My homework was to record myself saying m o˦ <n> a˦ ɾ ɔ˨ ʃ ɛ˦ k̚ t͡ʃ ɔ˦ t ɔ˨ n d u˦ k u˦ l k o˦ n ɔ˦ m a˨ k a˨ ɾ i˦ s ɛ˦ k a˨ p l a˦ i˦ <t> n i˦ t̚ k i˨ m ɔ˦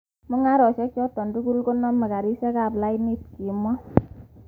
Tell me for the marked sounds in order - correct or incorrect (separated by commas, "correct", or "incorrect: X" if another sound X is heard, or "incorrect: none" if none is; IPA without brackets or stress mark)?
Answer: incorrect: ŋ, incorrect: none